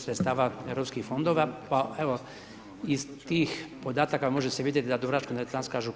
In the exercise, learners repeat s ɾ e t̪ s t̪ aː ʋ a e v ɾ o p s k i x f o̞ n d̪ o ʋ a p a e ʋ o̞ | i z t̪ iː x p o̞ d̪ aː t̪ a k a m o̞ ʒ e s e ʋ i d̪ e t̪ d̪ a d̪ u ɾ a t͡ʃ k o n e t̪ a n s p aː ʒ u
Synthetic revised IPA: s ɾ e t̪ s t̪ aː ʋ a e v ɾ o p s k i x f o̞ n d̪ o ʋ a p a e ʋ o̞ | i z t̪ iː x p o̞ d̪ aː t̪ a k a m o̞ ʒ e s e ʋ i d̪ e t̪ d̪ a d̪ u ɾ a t͡ʃ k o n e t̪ a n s k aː ʒ u